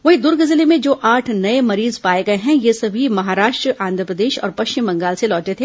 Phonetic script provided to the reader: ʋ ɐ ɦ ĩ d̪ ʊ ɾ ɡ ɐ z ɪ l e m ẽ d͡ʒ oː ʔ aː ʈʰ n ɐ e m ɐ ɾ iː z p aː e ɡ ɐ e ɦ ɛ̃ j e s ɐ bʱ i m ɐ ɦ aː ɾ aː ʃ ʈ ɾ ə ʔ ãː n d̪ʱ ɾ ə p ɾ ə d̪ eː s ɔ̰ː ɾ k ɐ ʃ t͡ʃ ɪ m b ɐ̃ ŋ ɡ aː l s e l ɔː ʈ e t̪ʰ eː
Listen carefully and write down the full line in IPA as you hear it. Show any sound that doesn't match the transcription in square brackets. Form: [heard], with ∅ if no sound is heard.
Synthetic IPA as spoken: ʋ ɐ ɦ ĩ d̪ ʊ ɾ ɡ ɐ z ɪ l e m ẽ d͡ʒ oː ʔ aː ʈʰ n ɐ e m ɐ ɾ iː z p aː e ɡ ɐ e ɦ ɛ̃ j e s ɐ bʱ i m ɐ ɦ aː ɾ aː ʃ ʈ ɾ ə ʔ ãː n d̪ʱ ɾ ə p ɾ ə d̪ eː [ʃ] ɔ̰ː ɾ [p] ɐ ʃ t͡ʃ ɪ m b ɐ̃ ŋ ɡ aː l s e l ɔː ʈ e t̪ʰ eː